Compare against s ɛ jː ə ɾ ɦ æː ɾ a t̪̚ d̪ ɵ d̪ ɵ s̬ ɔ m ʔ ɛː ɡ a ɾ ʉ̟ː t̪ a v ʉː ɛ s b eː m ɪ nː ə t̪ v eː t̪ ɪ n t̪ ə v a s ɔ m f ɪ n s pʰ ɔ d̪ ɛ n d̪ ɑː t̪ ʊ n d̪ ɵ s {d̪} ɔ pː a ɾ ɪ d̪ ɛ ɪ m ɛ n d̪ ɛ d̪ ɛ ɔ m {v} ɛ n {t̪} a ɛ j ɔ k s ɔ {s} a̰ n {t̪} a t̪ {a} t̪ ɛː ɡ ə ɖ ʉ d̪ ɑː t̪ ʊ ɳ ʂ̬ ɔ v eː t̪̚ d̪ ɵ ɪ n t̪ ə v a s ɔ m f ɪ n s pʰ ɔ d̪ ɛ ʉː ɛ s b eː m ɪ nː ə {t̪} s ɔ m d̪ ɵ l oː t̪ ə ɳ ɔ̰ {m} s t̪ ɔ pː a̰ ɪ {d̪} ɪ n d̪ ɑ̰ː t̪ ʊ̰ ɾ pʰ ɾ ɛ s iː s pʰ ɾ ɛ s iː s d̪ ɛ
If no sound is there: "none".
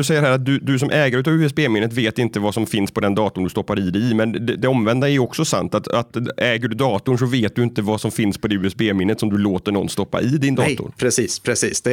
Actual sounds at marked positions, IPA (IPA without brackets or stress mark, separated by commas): t̪, v, d̪, s, t̪, a, t̪, n, d̪